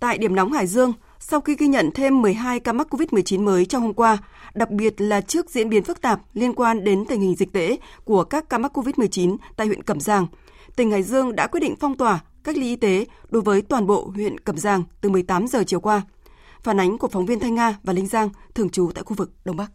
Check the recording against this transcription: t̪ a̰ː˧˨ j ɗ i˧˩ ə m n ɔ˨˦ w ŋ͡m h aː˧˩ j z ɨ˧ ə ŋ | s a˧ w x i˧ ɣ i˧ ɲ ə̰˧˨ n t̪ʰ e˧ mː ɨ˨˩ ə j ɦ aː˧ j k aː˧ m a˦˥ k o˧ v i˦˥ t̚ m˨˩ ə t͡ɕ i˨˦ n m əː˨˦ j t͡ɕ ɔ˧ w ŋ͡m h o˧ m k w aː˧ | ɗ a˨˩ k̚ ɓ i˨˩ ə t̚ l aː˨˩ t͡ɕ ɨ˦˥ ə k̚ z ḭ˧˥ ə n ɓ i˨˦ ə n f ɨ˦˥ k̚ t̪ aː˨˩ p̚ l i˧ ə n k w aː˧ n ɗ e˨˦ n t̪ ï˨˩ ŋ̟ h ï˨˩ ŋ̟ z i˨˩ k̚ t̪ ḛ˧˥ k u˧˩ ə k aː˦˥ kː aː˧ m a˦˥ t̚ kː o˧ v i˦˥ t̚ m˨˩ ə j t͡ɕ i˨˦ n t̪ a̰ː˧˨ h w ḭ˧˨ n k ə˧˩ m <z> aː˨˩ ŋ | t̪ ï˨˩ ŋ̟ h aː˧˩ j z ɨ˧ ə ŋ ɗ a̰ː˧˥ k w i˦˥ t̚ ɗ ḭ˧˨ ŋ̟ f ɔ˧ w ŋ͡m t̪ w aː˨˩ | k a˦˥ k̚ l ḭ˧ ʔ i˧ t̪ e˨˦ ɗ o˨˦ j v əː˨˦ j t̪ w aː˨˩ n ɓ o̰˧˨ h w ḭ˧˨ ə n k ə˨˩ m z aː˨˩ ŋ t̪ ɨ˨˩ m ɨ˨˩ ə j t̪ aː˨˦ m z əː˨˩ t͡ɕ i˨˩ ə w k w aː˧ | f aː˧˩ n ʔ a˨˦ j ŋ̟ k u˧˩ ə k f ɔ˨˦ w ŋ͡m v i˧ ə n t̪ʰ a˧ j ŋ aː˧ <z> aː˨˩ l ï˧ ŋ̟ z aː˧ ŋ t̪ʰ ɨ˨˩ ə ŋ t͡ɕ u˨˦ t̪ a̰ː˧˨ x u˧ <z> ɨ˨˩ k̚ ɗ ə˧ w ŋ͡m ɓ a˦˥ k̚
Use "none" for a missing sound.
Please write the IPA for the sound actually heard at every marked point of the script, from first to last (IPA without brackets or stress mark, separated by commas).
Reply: z, v, v